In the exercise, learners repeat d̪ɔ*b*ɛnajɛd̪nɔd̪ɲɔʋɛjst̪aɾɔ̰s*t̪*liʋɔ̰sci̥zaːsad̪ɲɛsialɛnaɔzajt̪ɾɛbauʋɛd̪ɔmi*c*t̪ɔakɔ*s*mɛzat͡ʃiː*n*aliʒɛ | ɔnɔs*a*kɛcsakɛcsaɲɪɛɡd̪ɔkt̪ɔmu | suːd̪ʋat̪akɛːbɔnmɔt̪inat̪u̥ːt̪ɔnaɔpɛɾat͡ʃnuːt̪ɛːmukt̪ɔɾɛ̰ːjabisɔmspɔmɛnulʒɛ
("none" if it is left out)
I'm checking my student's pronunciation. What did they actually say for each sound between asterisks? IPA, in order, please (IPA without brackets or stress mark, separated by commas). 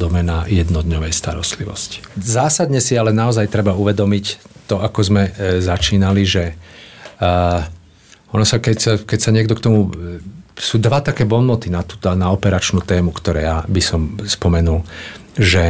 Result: m, t̪, c, z, n, a